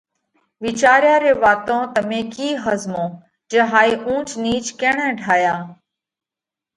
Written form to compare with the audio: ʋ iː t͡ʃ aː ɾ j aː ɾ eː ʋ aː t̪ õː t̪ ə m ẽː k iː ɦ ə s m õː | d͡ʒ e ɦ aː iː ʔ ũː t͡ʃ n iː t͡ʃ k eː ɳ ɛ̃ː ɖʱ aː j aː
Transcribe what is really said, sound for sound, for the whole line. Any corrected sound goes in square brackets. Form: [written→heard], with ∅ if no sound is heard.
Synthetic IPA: ʋ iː t͡ʃ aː ɾ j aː ɾ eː ʋ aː t̪ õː t̪ ə m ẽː k iː ɦ ə [s→z] m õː | d͡ʒ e ɦ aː iː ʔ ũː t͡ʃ n iː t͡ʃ k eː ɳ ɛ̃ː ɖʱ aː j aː